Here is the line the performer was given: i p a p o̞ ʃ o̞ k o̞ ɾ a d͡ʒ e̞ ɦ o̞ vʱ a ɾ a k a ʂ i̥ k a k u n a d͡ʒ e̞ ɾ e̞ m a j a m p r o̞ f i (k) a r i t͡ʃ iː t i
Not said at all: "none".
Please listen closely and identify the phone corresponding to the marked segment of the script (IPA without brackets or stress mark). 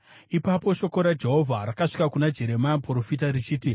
t